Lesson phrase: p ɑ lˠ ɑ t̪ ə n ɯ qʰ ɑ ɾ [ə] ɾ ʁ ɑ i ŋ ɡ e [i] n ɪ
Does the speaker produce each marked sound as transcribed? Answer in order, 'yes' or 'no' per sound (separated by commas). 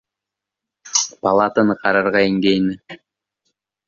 no, no